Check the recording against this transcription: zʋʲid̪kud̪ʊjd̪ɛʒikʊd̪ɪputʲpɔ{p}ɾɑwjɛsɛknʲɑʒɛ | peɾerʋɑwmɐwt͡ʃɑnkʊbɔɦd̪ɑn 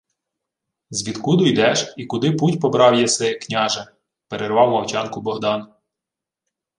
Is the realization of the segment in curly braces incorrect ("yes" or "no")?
yes